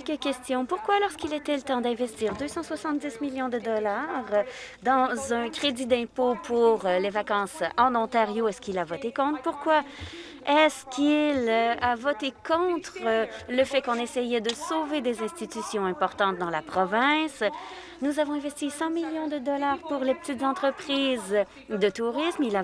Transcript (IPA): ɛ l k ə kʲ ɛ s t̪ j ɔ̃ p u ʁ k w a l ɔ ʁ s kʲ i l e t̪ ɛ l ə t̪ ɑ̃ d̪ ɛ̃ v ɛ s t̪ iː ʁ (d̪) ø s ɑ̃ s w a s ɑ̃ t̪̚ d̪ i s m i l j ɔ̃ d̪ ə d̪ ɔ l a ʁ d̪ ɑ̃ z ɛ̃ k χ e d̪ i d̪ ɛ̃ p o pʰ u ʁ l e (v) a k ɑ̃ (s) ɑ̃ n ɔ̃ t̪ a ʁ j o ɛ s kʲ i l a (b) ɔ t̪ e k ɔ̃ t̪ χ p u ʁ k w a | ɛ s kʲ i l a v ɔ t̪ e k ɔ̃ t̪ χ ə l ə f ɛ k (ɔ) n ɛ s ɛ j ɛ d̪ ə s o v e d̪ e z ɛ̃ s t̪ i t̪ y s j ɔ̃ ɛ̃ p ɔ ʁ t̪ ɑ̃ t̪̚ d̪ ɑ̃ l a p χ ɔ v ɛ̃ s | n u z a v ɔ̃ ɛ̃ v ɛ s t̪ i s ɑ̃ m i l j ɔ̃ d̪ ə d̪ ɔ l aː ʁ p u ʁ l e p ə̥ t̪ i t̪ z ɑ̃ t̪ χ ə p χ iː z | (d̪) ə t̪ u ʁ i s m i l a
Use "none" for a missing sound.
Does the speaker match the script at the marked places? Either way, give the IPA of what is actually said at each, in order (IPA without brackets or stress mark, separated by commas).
d̪, v, s, v, ɔ̃, d̪